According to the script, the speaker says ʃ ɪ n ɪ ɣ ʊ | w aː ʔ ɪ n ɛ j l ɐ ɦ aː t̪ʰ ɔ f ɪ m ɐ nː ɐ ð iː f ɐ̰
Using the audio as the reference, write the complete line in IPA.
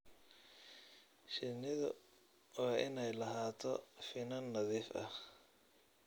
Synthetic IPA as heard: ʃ ɪ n ɪ ð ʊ | w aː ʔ ɪ n ɛ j l ɐ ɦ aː t̪ʰ ɔ f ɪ n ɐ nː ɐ ð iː f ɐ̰